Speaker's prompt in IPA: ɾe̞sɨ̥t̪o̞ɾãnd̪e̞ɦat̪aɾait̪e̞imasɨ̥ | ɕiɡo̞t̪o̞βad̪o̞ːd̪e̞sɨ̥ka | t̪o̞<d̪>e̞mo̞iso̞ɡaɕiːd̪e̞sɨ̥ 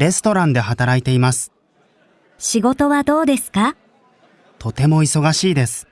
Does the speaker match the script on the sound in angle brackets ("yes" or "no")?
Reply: no